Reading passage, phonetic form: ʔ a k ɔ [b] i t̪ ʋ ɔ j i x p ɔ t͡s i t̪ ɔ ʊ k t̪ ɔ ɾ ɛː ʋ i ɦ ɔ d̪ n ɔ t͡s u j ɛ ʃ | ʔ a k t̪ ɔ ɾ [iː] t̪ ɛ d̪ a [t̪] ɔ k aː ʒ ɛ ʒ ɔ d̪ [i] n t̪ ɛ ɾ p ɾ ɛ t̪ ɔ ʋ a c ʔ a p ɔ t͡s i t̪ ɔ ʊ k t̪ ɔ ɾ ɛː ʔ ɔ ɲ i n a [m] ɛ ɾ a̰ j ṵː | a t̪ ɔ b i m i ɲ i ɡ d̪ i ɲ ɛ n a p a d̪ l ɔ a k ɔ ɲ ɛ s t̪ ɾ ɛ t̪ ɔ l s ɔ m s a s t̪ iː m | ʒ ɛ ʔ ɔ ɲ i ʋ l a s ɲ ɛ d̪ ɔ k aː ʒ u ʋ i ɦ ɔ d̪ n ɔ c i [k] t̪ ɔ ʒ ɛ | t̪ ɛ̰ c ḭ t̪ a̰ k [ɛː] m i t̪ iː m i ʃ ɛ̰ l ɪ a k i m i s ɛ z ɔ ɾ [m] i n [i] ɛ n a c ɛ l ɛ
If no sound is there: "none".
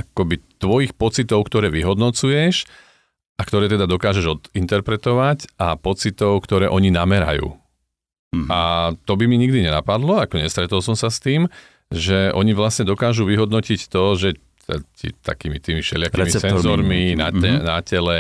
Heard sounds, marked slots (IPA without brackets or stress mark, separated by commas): b, ɛː, d̪, i, m, c, iː, m, a